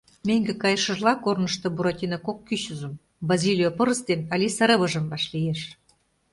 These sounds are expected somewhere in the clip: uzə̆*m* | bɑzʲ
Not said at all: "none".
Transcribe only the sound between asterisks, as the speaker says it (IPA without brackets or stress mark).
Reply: m